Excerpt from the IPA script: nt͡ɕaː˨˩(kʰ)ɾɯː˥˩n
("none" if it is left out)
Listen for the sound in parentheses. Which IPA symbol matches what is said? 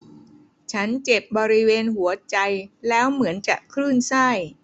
kʰ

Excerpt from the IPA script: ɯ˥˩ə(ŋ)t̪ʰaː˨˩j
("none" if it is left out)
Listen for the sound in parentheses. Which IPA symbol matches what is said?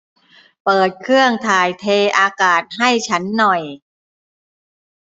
ŋ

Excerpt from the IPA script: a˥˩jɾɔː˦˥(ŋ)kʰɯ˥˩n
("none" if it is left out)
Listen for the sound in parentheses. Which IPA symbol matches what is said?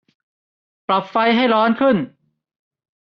n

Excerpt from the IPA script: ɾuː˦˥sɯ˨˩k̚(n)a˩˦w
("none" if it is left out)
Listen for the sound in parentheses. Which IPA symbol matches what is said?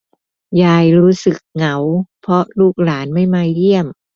ŋ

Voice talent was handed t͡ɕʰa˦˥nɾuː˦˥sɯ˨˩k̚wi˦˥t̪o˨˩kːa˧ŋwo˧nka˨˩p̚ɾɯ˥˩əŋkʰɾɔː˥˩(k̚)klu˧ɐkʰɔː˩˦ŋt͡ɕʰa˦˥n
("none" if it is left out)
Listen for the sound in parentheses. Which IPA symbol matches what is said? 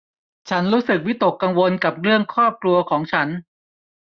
p̚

